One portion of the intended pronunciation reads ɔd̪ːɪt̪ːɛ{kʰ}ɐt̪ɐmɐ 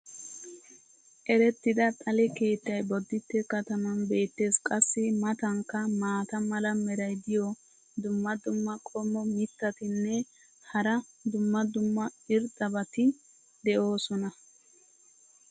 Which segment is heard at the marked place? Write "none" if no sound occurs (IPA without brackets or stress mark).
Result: k